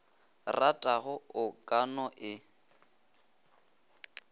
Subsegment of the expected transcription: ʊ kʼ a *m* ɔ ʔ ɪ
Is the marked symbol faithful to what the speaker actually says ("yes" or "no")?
no